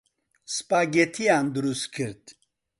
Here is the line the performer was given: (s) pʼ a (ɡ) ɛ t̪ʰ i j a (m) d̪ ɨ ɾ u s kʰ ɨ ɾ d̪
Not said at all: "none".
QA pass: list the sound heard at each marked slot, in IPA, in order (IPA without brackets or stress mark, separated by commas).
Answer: s, ɡ, n